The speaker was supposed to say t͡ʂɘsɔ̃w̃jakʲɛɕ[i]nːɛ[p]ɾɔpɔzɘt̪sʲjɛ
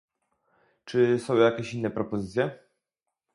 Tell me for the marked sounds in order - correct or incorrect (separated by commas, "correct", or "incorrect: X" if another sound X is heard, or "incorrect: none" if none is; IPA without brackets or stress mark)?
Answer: correct, correct